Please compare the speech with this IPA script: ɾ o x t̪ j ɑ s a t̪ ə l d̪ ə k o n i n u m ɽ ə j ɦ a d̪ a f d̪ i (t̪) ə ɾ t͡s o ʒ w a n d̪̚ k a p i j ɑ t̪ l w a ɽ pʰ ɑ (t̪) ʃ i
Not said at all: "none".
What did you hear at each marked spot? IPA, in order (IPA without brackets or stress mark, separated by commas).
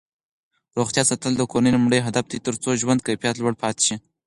t̪, t̪